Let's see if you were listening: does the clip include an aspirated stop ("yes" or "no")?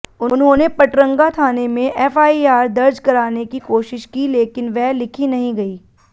yes